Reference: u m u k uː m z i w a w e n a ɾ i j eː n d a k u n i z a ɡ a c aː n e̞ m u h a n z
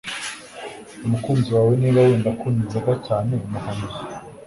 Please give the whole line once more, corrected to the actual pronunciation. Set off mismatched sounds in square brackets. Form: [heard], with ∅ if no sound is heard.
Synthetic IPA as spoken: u m u k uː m z i w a w e n [i] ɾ [a] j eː n d a k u n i z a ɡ a c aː n e̞ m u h a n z